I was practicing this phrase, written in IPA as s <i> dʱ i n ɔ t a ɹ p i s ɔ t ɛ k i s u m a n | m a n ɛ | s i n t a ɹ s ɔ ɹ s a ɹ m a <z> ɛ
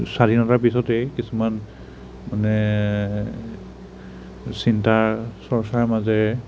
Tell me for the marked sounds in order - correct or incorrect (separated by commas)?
incorrect, correct